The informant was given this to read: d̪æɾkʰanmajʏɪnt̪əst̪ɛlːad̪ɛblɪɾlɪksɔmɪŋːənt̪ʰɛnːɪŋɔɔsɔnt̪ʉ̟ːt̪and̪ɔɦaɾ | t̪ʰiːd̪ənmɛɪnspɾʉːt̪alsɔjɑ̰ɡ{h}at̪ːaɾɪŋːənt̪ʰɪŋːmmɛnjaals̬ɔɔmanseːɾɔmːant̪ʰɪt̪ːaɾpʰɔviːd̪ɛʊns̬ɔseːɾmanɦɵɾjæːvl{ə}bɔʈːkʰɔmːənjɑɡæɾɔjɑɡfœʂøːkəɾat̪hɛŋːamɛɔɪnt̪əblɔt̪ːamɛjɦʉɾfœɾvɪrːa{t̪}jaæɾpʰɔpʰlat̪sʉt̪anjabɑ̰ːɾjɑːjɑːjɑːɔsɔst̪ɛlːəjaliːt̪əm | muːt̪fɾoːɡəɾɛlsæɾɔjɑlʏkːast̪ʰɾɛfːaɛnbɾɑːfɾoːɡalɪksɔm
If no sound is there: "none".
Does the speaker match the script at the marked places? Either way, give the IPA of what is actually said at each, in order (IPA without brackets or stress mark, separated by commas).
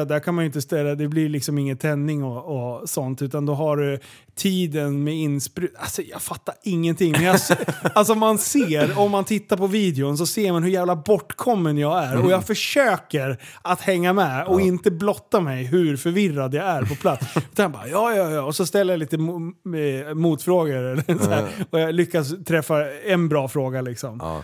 f, a, d̪